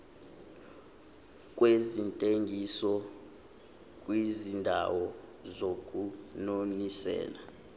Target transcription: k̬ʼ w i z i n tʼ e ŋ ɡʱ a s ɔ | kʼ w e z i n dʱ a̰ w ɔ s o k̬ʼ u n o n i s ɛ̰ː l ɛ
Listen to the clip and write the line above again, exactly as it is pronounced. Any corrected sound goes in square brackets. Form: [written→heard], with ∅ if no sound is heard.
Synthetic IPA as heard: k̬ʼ w [i→e] z i n tʼ e ŋ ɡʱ [a→i] s ɔ | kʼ w [e→i] z i n dʱ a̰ w ɔ [s→z] o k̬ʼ u n o n i s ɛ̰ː l [ɛ→a]